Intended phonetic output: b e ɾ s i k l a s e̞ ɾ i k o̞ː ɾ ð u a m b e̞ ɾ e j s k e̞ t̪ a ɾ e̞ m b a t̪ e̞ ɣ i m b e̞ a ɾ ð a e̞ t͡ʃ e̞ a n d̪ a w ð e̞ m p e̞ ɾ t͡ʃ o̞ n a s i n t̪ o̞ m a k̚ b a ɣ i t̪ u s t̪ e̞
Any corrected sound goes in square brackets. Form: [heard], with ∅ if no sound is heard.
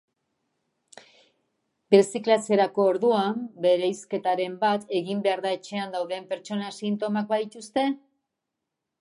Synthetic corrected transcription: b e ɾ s i k l a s e̞ ɾ [a] k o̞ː ɾ ð u a m b e̞ ɾ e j s k e̞ t̪ a ɾ e̞ m b a t̪ e̞ ɣ i m b e̞ a ɾ ð a e̞ t͡ʃ e̞ a n d̪ a w ð e̞ m p e̞ ɾ t͡ʃ o̞ n a s i n t̪ o̞ m a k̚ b a [ð] i t̪ u s t̪ e̞